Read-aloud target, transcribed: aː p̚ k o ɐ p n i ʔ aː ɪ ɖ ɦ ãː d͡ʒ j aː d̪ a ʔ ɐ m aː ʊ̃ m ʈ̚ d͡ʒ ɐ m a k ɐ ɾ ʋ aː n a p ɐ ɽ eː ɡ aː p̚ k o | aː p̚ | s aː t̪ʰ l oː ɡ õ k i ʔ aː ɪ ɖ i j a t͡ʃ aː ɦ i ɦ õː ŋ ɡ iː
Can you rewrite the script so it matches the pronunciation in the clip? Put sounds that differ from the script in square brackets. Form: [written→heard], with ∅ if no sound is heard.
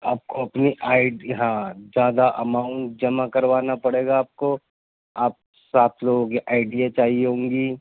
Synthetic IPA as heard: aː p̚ k o ɐ p n i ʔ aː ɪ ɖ ɦ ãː d͡ʒ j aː d̪ a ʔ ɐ m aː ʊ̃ [m→ɳ] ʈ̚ d͡ʒ ɐ m a k ɐ ɾ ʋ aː n a p ɐ ɽ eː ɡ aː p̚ k o | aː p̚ | s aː t̪ʰ l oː ɡ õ k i ʔ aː ɪ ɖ i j a t͡ʃ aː ɦ i ɦ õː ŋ ɡ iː

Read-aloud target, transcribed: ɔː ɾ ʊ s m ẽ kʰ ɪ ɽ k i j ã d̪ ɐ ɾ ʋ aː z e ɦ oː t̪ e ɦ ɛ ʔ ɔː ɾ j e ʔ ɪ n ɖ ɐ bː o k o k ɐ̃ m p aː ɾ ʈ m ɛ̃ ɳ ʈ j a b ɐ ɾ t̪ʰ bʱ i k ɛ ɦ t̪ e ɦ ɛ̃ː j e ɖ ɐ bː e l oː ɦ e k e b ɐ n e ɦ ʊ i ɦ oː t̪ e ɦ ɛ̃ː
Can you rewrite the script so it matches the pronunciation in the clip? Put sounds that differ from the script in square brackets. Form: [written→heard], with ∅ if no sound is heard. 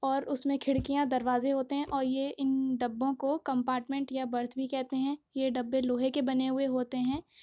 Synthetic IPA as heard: ɔː ɾ ʊ s m ẽ kʰ ɪ ɽ k i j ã d̪ ɐ ɾ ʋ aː z e ɦ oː t̪ e ɦ [ɛ→ɛ̃] ʔ ɔː ɾ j e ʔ ɪ n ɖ ɐ bː [o→õ] k o k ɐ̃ m p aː ɾ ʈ m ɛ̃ ɳ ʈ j a b ɐ ɾ t̪ʰ bʱ i k ɛ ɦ t̪ e ɦ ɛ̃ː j e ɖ ɐ bː e l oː ɦ e k e b ɐ n e ɦ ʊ [i→e] ɦ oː t̪ e ɦ ɛ̃ː

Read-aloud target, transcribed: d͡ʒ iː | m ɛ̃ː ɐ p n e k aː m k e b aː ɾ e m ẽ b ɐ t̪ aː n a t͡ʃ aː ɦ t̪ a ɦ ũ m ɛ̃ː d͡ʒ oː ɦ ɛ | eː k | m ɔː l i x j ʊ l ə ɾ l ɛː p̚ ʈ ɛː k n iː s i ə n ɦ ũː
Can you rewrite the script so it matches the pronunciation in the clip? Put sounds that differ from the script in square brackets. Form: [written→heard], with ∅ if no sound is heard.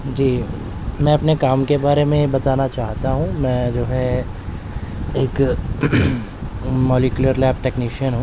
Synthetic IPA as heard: d͡ʒ iː | m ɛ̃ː ɐ p n e k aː m k e b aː ɾ e m ẽ b ɐ t̪ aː n a t͡ʃ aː ɦ t̪ a ɦ ũ m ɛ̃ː d͡ʒ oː ɦ ɛ | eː k | m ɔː l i [x→k] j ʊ l ə ɾ l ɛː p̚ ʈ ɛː k n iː [s→ʃ] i ə n ɦ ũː

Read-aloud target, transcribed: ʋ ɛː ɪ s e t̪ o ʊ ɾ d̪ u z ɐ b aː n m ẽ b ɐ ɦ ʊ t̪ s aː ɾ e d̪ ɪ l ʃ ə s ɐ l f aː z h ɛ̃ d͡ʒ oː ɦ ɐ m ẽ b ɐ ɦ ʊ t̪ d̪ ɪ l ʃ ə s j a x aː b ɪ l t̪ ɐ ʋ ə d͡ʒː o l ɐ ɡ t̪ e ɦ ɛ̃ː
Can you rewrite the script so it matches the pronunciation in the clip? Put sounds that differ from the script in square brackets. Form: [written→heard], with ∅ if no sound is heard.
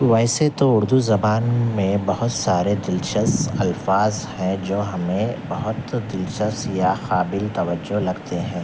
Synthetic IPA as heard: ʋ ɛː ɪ s e t̪ o ʊ ɾ d̪ u z ɐ b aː n m ẽ b ɐ ɦ ʊ t̪ s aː ɾ e d̪ ɪ l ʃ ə s ɐ l f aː z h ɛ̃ d͡ʒ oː ɦ ɐ m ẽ b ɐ ɦ ʊ t̪ d̪ ɪ l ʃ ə s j a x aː b ɪ l t̪ ɐ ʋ ə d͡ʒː o l ɐ ɡ t̪ e ɦ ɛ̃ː

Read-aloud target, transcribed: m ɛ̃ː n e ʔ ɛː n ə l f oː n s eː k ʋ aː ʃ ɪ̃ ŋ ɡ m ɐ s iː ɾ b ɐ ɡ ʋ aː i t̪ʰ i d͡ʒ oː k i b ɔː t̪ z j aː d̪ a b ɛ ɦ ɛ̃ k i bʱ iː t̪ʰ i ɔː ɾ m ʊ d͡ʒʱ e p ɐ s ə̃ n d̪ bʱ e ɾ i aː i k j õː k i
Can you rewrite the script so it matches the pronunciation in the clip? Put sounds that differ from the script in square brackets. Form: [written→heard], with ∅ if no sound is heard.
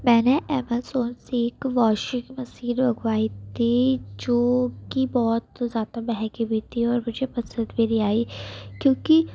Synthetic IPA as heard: m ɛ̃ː n e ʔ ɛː [n→m] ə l [f→s] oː n s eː k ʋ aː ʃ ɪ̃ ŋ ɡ m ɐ s iː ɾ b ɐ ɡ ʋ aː i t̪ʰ i d͡ʒ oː k i b ɔː t̪ z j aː d̪ a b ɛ ɦ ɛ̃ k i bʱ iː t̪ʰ i ɔː ɾ m ʊ d͡ʒʱ e p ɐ s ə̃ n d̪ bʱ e ɾ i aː i k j õː k i

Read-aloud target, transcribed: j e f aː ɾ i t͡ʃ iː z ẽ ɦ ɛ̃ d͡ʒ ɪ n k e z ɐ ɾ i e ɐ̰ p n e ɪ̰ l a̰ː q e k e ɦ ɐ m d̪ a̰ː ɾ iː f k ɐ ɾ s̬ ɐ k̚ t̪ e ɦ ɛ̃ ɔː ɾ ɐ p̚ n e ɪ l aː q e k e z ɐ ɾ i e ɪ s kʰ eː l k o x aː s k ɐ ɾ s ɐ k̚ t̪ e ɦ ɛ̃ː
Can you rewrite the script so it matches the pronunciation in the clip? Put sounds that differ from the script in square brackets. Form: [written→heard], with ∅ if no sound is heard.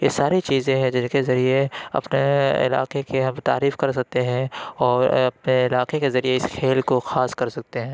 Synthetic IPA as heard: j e [f→s] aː ɾ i t͡ʃ iː z ẽ ɦ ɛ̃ d͡ʒ ɪ n k e z ɐ ɾ i e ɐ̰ p n e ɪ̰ l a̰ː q e k e ɦ ɐ m [d̪→t̪] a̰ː ɾ iː f k ɐ ɾ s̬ ɐ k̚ t̪ e ɦ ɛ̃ ɔː ɾ ɐ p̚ n e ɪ l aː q e k e z ɐ ɾ i e ɪ s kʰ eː l k o x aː s k ɐ ɾ s ɐ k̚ t̪ e ɦ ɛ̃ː

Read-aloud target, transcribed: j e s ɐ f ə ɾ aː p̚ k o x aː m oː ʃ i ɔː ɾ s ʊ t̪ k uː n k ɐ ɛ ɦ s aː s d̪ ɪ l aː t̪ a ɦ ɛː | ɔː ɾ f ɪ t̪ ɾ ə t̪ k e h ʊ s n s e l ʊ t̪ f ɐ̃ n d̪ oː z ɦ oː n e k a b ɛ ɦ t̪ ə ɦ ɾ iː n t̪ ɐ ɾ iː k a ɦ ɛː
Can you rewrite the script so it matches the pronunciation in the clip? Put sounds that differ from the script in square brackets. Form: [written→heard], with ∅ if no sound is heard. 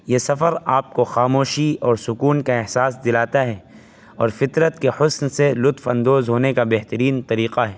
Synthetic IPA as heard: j e s ɐ f ə ɾ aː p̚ k o x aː m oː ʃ i ɔː ɾ s ʊ [t̪→∅] k uː n k [ɐ→a] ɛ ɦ s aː s d̪ ɪ l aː t̪ a ɦ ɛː | ɔː ɾ f ɪ t̪ ɾ ə t̪ k e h ʊ s n s e l ʊ t̪ f ɐ̃ n d̪ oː z ɦ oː n e k a b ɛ ɦ t̪ ə [ɦ→∅] ɾ iː n t̪ ɐ ɾ iː [k→q] a ɦ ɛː

